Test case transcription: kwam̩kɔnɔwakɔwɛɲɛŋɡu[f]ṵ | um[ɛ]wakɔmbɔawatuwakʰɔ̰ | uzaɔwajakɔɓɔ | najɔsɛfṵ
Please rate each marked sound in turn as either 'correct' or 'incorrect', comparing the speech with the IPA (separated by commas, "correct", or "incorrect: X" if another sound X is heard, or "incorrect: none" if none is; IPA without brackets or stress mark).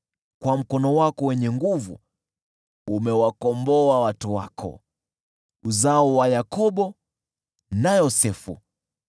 incorrect: v, correct